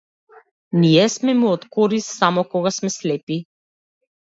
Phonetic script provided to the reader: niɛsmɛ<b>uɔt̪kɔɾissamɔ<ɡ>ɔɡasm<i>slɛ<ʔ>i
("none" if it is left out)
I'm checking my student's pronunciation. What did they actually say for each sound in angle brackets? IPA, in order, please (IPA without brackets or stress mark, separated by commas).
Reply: m, k, ɛ, p